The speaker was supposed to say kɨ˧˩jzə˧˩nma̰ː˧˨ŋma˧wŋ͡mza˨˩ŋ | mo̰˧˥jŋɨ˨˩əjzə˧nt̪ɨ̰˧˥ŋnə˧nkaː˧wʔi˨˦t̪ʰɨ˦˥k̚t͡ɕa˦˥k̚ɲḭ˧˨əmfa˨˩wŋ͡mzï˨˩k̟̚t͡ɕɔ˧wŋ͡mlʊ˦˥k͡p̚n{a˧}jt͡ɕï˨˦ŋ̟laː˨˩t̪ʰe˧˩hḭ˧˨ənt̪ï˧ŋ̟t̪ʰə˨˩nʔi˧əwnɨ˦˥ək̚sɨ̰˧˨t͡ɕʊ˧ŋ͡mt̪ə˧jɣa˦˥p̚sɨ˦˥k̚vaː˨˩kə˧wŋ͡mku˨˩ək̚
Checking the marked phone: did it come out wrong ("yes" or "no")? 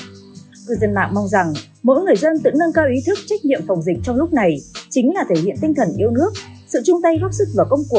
yes